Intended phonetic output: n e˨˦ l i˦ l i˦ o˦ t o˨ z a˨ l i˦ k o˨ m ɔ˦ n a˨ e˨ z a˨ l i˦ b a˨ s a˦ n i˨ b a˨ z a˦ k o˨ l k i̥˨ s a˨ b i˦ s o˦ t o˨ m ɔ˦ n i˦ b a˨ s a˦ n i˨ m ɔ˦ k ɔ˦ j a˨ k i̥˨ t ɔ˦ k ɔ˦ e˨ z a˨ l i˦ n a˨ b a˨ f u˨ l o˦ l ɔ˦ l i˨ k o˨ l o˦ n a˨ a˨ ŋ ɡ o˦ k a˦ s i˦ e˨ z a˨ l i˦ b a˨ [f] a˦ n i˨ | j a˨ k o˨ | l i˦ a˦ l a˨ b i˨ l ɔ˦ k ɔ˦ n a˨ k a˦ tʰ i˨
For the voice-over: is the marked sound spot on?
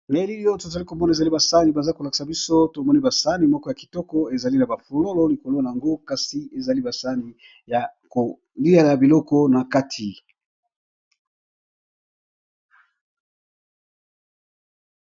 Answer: no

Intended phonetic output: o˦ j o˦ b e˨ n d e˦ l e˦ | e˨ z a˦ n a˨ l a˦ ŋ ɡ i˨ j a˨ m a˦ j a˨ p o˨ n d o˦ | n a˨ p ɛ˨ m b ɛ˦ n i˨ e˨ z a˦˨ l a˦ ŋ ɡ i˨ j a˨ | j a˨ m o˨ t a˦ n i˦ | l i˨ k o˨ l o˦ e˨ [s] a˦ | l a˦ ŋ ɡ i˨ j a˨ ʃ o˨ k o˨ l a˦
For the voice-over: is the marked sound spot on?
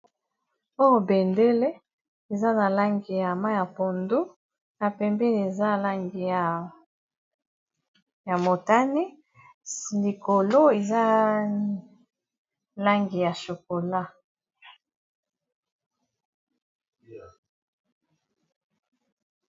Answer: no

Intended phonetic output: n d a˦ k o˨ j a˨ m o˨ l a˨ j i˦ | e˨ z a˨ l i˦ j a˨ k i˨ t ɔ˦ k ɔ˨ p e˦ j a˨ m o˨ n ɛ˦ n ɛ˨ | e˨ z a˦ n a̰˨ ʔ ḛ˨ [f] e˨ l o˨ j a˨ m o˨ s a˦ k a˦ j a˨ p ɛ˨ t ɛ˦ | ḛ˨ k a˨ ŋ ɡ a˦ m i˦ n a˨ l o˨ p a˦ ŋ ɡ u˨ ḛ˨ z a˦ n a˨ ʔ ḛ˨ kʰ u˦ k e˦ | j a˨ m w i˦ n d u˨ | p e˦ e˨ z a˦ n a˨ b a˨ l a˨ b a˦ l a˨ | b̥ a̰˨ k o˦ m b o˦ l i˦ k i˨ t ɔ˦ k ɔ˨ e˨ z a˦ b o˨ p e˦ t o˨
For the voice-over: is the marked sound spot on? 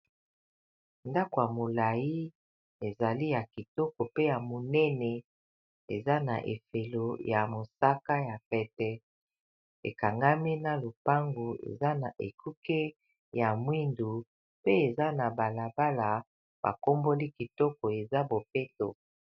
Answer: yes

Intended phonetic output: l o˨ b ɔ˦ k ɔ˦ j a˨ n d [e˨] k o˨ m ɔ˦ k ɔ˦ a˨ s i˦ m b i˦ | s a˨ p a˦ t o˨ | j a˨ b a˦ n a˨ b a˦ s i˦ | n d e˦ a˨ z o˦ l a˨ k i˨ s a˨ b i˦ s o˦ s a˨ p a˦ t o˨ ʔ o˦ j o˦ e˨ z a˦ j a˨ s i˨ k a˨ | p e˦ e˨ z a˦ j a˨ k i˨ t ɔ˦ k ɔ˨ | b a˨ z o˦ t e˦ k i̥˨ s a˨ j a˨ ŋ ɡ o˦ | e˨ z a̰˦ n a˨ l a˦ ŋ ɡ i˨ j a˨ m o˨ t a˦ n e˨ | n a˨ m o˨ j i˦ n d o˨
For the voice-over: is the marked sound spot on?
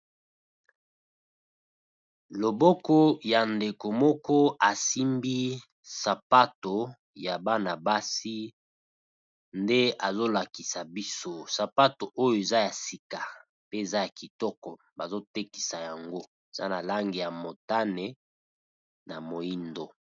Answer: yes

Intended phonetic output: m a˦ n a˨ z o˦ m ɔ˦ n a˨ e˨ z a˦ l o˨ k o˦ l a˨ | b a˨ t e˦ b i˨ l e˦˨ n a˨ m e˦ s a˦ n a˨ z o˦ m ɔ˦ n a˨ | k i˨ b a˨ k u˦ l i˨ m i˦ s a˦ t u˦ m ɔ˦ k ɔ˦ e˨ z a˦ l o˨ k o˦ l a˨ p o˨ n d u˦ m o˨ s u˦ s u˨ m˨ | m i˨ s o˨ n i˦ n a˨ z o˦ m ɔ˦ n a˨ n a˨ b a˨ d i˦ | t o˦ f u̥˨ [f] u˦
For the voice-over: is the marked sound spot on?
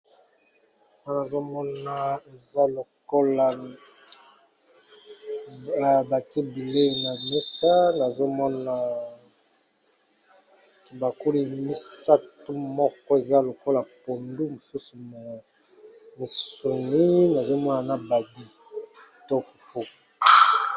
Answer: yes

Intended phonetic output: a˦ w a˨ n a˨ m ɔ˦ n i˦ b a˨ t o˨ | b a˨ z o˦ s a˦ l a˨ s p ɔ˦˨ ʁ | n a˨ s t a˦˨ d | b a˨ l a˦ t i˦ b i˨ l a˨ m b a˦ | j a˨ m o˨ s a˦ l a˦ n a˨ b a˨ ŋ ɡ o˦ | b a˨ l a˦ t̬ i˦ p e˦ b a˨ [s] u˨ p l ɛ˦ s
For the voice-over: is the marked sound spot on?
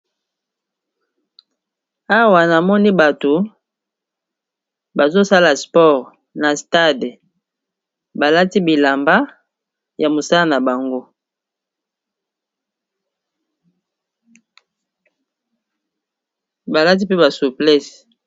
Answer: yes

